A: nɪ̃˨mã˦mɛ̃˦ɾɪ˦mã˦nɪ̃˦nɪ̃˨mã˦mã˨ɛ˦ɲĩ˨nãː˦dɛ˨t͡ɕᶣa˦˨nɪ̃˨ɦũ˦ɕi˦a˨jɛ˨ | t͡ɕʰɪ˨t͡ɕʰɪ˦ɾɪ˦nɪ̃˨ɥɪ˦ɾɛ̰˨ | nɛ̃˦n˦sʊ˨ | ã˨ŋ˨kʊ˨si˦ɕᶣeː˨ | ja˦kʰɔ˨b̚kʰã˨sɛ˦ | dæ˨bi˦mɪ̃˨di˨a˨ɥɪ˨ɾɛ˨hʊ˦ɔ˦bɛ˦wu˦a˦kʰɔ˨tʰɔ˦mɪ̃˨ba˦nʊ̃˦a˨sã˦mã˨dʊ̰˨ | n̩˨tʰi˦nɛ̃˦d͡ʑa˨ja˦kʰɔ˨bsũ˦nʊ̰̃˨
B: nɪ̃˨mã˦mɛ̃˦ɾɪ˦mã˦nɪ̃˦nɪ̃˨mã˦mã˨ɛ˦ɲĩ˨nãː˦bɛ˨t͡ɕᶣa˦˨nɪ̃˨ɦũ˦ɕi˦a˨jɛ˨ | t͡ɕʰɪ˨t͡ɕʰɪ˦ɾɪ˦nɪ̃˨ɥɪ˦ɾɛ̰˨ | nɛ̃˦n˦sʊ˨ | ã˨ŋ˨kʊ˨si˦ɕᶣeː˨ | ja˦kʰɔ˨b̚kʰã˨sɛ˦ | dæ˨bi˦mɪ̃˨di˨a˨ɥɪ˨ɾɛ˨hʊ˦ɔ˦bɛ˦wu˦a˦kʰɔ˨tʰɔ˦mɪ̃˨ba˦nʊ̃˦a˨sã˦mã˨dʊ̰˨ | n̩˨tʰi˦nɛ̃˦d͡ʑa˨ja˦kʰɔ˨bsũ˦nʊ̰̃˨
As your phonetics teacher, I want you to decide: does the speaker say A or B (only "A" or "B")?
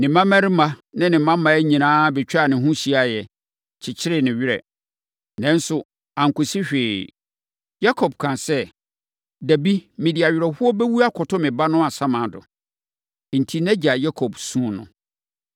B